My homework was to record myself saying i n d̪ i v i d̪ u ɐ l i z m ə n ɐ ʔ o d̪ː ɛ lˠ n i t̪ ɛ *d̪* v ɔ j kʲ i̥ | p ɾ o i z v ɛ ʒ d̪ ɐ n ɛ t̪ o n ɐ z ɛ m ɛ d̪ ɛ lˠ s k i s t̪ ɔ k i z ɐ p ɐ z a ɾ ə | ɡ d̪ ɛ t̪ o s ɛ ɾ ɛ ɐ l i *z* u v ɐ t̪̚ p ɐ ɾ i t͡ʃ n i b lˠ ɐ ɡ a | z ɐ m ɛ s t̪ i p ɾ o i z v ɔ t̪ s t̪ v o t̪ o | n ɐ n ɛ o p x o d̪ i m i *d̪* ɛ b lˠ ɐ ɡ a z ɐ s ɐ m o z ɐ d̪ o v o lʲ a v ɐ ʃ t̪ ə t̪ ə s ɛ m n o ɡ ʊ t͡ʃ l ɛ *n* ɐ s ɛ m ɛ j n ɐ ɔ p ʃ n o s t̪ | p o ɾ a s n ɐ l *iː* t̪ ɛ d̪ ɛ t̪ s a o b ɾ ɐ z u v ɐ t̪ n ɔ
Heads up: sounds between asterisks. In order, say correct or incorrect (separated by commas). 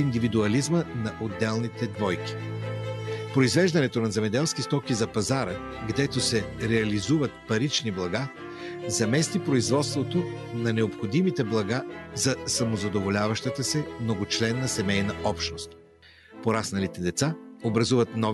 correct, correct, incorrect, incorrect, incorrect